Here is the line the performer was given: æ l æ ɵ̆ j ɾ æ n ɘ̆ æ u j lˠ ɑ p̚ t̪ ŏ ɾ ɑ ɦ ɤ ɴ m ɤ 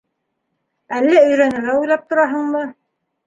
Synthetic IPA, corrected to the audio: æ lː æ ɵ̆ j ɾ æ n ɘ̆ æ u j lˠ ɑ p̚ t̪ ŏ ɾ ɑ ɦ ɤ ɴ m ɤ